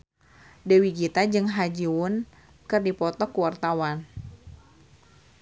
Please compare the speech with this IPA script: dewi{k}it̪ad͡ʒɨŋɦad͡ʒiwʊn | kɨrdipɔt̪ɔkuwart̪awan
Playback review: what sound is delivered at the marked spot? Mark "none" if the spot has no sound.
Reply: ɡ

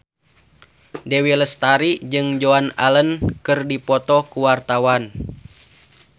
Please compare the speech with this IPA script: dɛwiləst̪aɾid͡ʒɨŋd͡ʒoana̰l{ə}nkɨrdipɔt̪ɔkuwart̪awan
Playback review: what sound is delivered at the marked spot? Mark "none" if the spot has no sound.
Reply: ə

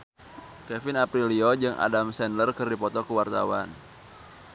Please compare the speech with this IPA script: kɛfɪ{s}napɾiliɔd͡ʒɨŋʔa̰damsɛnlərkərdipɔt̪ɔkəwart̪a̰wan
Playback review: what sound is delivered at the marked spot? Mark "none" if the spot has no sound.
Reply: none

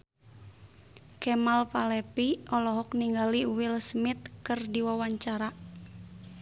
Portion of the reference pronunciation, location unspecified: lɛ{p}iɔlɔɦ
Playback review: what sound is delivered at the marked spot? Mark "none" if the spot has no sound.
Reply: p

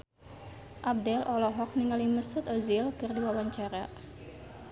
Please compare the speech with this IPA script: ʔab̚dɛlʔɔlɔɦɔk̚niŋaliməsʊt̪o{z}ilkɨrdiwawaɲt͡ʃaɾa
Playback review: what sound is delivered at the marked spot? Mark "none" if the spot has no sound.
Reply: z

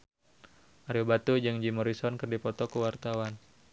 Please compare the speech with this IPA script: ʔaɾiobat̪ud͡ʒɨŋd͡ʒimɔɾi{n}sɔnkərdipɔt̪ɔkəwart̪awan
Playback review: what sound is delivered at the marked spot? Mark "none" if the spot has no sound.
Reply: none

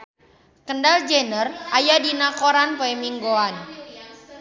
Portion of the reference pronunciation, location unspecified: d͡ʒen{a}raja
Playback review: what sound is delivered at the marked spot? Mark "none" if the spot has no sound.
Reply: ə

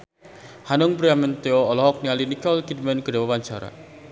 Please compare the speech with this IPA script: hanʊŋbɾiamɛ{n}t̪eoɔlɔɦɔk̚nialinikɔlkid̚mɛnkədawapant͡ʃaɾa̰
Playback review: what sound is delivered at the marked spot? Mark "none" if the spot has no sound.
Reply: n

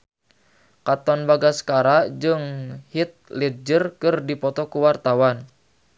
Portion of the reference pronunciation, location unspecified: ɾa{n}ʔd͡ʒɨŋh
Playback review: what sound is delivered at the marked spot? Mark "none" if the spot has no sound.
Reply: none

